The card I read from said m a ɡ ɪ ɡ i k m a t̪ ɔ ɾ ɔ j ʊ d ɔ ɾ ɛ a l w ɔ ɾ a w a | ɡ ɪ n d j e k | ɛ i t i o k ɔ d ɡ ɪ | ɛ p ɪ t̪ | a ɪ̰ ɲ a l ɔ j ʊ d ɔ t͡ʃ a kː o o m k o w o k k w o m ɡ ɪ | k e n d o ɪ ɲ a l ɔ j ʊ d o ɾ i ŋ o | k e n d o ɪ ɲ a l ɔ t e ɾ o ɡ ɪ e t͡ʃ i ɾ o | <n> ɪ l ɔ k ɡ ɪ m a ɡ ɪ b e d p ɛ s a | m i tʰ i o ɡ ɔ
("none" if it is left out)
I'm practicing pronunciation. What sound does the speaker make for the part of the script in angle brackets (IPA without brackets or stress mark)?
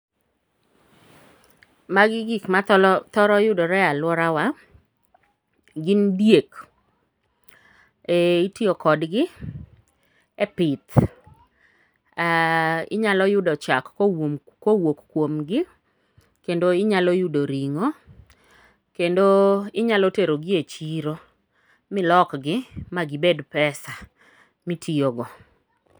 m